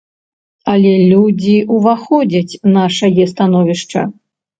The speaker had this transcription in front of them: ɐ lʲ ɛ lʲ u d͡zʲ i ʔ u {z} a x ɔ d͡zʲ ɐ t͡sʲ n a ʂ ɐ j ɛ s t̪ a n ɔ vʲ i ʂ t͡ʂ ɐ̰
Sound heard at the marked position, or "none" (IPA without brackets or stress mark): v